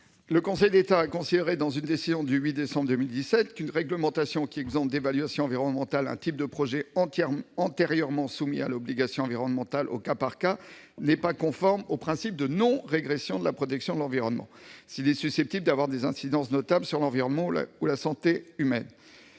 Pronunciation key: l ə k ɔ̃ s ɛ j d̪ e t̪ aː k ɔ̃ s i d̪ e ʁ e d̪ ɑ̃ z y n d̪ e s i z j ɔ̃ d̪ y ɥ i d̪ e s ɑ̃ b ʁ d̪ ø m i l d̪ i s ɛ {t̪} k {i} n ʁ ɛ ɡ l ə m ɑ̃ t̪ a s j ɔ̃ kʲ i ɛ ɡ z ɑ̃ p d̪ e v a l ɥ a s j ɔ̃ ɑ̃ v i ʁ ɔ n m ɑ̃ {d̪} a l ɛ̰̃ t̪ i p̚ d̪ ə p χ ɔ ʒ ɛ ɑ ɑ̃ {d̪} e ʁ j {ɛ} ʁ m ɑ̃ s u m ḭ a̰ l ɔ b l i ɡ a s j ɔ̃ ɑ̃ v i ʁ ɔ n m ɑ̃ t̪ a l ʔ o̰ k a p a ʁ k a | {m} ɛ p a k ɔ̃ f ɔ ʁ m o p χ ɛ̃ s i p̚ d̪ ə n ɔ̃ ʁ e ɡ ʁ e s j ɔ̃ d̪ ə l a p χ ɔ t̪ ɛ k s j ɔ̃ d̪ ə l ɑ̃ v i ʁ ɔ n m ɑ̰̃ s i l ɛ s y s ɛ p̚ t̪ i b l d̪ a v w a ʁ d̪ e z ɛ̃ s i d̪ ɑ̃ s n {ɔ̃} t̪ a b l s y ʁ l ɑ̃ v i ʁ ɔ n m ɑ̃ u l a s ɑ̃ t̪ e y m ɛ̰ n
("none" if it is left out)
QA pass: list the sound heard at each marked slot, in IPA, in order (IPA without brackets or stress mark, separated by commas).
t̪, y, t̪, t̪, œ, n, ɔ